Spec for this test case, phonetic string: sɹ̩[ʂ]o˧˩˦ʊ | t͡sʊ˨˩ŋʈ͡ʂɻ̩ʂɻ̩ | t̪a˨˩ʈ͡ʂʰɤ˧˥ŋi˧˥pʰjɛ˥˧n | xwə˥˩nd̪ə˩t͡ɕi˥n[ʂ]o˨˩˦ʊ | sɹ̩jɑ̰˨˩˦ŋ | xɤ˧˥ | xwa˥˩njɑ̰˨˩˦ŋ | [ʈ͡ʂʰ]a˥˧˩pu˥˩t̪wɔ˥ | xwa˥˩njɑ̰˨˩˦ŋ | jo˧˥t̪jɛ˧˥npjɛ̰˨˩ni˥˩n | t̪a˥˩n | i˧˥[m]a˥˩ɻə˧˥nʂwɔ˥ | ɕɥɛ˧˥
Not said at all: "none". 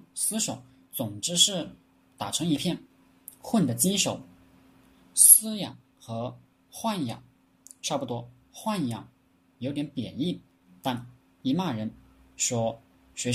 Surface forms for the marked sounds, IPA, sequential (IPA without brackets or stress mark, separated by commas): ʂ, ʂ, ʈ͡ʂʰ, m